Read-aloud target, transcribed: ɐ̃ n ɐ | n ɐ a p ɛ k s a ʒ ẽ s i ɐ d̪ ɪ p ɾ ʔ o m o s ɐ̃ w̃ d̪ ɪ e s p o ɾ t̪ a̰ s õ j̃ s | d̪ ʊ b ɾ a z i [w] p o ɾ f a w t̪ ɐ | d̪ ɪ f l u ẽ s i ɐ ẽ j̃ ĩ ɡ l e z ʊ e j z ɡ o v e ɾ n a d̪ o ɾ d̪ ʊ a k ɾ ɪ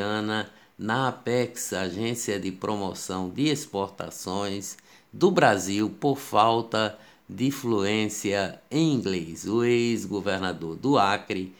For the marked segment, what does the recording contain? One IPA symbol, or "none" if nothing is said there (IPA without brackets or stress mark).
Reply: w